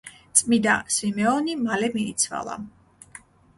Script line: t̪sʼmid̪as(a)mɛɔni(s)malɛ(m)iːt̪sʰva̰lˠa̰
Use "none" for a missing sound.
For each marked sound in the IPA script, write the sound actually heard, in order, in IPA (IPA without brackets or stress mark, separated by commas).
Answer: i, none, m